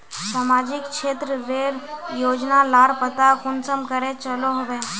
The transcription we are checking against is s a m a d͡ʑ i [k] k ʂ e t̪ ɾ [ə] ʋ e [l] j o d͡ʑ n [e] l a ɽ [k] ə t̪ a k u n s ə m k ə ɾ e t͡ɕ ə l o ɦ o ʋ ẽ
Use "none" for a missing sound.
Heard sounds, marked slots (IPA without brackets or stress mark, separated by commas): k, ə, ɾ, a, p